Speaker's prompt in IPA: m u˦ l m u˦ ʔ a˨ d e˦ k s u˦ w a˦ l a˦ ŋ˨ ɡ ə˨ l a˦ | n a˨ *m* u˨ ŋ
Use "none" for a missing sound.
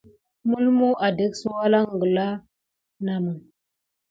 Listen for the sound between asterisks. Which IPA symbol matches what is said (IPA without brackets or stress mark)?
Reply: m